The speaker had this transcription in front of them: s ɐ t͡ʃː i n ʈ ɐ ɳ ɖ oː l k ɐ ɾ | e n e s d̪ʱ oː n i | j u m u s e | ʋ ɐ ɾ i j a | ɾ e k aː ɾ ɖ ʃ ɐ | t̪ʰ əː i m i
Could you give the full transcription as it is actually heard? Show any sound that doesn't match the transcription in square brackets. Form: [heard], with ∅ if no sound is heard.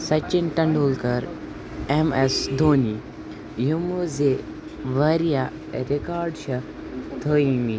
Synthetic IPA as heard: s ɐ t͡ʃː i n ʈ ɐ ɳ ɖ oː l k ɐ ɾ | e [m] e s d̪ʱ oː n i | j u m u [z] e | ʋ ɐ ɾ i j a | ɾ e k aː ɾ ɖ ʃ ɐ | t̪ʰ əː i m i